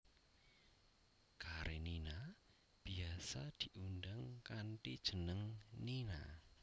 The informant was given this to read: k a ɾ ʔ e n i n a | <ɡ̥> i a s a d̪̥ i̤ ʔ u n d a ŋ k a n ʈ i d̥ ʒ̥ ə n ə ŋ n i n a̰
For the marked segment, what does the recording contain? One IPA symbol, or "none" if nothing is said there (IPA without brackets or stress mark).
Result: b̥